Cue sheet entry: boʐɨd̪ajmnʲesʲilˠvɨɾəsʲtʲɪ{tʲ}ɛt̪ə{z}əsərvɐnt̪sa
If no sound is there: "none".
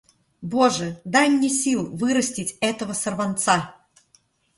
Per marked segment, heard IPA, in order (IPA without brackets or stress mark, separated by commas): tʲ, v